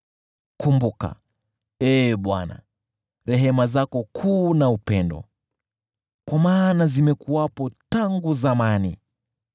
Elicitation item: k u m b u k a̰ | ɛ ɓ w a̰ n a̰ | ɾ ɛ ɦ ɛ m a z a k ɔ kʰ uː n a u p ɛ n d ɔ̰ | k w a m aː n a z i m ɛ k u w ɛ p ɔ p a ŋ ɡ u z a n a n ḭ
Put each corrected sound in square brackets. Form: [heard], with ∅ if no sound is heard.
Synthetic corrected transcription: k u m b u k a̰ | ɛ ɓ w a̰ n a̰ | ɾ ɛ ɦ ɛ m a z a k ɔ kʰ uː n a u p ɛ n d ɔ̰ | k w a m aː n a z i m ɛ k u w [a] p ɔ [t] a ŋ ɡ u z a [m] a n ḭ